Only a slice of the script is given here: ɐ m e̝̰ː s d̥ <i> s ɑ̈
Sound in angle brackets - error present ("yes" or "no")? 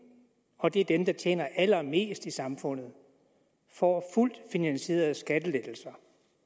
no